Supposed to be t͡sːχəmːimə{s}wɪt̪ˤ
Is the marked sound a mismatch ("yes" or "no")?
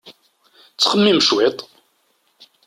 yes